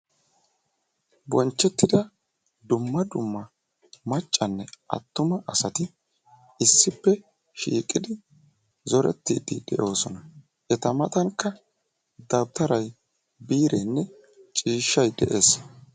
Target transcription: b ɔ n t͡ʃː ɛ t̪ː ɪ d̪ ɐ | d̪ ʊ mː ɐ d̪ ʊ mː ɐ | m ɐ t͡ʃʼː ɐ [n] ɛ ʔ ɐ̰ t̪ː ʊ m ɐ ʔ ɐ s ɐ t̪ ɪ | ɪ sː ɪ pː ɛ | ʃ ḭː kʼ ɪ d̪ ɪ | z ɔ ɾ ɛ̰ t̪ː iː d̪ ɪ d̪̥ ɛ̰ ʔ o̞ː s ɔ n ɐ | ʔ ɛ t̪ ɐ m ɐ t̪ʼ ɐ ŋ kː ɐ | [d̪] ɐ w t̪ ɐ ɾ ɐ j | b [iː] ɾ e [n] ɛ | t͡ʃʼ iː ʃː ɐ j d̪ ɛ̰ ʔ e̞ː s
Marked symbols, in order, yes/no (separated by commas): no, yes, yes, no